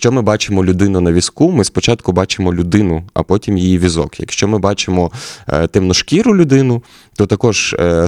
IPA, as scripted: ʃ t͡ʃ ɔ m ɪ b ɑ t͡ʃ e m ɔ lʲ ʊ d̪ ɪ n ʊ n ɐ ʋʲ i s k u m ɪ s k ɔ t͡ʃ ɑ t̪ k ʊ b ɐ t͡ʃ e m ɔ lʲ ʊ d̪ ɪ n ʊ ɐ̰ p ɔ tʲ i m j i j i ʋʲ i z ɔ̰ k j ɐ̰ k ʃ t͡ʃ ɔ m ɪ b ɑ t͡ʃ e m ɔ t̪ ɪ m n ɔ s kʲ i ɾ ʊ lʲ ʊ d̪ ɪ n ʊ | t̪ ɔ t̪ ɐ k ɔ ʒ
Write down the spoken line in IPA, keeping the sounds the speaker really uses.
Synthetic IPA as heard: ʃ t͡ʃ ɔ m ɪ b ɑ t͡ʃ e m ɔ lʲ ʊ d̪ ɪ n ʊ n ɐ ʋʲ i s k u m ɪ s p ɔ t͡ʃ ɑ t̪ k ʊ b ɑ t͡ʃ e m ɔ lʲ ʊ d̪ ɪ n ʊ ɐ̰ p ɔ tʲ i m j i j i ʋʲ i z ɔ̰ k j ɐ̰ k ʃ t͡ʃ ɔ m ɪ b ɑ t͡ʃ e m ɔ t̪ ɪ m n ɔ ʃ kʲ i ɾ ʊ lʲ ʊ d̪ ɪ n ʊ | t̪ ɔ t̪ ɐ k ɔ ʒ